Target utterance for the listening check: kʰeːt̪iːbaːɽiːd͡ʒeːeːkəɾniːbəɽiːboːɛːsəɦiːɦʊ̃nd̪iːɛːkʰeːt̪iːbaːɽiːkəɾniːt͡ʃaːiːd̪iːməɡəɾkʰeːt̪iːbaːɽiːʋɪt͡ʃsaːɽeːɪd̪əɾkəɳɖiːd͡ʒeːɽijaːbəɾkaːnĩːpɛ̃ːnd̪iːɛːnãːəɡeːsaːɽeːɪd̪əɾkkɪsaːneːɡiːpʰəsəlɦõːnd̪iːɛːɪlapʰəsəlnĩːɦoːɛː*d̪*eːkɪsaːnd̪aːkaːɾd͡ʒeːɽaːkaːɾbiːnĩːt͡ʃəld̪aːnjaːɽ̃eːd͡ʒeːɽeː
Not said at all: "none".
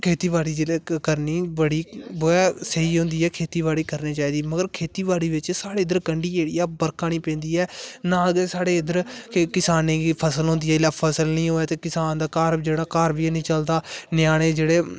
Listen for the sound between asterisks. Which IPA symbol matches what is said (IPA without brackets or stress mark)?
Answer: t̪